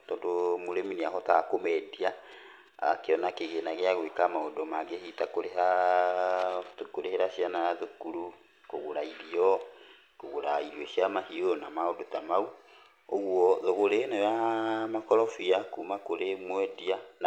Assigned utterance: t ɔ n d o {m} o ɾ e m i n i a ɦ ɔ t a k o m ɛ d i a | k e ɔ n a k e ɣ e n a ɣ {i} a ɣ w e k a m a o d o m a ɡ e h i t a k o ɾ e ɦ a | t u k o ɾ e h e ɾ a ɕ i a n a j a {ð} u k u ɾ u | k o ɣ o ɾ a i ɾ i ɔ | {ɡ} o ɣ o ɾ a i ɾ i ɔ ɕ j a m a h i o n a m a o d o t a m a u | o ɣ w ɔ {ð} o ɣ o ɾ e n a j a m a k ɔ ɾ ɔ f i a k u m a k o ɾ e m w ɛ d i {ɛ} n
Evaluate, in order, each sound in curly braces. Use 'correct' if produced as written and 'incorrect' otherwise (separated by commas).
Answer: correct, incorrect, correct, incorrect, correct, incorrect